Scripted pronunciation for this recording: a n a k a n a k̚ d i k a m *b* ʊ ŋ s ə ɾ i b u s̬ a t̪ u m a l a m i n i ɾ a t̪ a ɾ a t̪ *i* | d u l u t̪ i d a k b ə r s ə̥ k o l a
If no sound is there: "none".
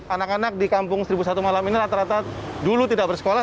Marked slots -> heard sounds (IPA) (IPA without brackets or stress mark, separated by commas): p, a